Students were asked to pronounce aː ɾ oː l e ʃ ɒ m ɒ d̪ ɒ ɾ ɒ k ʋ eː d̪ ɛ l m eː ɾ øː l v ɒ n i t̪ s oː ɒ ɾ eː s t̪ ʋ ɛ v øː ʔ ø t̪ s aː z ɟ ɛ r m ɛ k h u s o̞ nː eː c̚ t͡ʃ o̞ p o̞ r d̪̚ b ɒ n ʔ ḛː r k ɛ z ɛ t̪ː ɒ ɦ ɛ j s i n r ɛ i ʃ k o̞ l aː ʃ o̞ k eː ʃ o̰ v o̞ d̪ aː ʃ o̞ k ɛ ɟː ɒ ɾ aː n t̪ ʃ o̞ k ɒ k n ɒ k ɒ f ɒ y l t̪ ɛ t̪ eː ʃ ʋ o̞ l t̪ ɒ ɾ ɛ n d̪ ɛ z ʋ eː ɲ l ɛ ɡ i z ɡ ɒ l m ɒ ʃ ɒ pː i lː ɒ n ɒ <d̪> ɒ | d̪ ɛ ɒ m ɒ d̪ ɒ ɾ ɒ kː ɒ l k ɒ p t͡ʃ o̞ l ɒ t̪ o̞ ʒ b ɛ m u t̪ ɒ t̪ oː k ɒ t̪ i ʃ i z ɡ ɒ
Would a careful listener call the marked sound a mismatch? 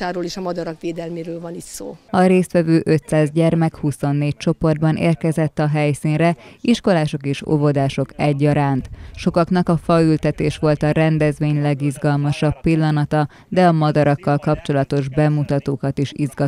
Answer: yes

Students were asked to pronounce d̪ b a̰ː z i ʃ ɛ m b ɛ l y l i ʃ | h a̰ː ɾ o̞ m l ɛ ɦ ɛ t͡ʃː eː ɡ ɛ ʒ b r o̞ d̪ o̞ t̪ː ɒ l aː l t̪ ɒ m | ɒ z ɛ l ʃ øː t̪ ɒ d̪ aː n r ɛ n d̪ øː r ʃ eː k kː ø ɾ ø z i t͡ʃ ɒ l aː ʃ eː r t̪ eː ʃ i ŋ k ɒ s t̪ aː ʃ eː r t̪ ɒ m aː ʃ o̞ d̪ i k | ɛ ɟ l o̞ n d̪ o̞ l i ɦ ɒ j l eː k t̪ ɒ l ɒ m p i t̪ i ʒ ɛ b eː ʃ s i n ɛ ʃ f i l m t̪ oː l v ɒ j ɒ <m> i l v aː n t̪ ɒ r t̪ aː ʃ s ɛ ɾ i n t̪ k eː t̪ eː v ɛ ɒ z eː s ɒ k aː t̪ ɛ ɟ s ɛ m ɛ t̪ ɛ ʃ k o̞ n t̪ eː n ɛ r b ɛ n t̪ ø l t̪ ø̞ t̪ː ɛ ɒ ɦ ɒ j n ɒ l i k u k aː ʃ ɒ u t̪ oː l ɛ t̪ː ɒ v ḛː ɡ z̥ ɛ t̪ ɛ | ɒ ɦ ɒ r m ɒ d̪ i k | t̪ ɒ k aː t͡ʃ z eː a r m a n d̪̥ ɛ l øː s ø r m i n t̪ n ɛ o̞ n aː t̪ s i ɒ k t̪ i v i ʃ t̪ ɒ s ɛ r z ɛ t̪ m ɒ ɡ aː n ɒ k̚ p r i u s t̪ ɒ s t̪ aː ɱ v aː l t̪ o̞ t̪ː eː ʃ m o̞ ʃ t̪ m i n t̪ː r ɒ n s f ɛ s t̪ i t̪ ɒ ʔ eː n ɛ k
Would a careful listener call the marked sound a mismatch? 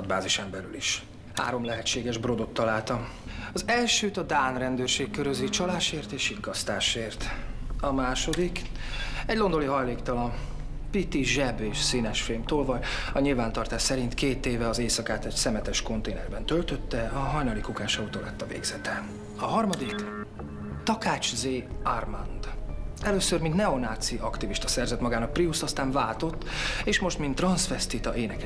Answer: yes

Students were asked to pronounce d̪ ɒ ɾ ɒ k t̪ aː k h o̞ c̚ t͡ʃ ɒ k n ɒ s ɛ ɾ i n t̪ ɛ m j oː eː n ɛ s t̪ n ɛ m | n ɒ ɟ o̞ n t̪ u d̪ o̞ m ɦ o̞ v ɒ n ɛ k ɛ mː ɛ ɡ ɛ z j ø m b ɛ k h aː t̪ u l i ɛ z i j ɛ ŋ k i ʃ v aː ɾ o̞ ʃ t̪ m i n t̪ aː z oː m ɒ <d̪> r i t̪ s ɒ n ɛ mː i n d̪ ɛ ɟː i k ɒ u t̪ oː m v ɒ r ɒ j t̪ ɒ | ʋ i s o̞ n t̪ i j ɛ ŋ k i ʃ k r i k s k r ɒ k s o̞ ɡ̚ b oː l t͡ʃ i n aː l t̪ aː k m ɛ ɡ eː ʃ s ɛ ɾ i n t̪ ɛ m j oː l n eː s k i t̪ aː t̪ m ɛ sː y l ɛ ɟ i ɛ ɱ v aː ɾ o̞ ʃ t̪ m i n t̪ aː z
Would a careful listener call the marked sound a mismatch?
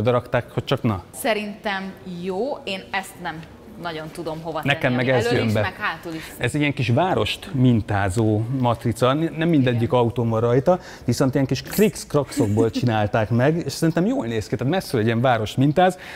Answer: yes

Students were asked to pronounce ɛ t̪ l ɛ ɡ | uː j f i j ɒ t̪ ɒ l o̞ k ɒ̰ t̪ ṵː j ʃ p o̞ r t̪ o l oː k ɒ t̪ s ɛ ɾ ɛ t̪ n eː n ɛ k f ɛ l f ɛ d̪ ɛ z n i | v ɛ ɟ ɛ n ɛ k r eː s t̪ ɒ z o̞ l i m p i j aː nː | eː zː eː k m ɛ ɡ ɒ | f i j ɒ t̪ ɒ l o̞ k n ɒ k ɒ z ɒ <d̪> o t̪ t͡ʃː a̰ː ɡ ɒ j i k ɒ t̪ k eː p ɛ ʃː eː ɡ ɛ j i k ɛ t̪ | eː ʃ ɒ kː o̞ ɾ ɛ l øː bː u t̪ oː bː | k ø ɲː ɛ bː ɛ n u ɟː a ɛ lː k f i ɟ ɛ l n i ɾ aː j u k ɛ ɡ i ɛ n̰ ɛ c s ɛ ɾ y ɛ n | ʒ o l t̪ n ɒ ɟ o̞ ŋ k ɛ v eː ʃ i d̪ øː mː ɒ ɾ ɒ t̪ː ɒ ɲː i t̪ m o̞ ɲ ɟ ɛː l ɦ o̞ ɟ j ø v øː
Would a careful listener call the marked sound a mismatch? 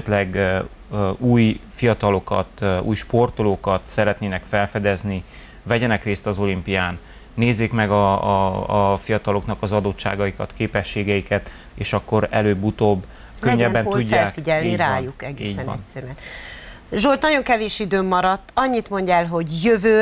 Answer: no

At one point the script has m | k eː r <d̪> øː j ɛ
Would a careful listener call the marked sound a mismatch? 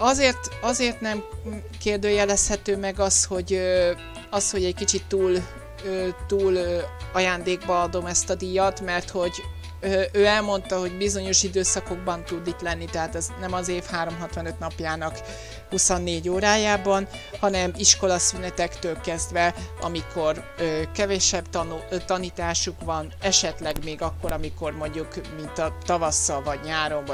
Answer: no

